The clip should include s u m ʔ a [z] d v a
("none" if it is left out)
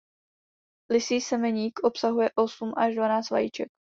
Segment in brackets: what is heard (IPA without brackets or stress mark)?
ʒ